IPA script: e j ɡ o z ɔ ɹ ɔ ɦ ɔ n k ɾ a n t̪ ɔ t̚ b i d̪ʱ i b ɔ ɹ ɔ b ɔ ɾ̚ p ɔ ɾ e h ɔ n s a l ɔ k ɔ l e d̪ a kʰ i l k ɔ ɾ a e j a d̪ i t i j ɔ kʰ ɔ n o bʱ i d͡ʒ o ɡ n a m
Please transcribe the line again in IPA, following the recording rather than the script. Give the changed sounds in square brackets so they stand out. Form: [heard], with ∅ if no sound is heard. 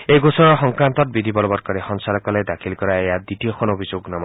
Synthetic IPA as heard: e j ɡ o [s] ɔ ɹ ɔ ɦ ɔ [ŋ] k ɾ a n t̪ ɔ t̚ b i d̪ʱ i b ɔ [l] ɔ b ɔ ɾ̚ [k] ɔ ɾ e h ɔ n s a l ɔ k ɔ l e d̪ a kʰ i l k ɔ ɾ a e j a d̪ i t i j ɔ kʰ ɔ n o bʱ i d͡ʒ o ɡ n a m